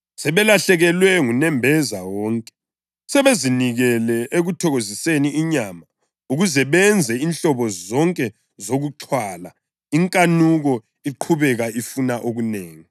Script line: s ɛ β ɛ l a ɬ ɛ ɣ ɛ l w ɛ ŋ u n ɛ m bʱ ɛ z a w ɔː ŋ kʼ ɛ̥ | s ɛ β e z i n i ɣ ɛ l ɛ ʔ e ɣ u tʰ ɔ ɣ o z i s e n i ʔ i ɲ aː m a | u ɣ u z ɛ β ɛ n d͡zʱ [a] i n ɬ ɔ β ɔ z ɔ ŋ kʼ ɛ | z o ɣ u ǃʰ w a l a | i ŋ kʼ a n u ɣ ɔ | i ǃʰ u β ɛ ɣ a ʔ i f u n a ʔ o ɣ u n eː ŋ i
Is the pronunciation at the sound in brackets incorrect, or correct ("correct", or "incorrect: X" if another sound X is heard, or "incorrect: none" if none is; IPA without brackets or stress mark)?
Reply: incorrect: ɛ